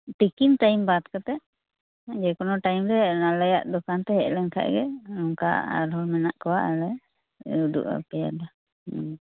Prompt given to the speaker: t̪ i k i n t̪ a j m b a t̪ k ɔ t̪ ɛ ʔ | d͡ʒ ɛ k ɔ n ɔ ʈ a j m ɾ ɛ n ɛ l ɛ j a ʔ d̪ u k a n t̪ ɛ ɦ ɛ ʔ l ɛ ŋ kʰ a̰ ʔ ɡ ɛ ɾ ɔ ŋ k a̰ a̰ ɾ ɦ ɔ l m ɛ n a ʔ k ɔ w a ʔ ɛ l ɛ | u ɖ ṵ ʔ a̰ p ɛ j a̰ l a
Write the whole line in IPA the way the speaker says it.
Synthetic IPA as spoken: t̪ i k i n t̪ a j m b a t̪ k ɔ t̪ ɛ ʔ | d͡ʒ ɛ k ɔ n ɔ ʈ a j m ɾ ɛ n a l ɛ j a ʔ d̪ ɔ k a n t̪ ɛ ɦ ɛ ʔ l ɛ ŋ kʰ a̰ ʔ ɡ ɛ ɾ ɔ ŋ k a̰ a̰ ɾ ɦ ɔ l m ɛ n a ʔ k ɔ w a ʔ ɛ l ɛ | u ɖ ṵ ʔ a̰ p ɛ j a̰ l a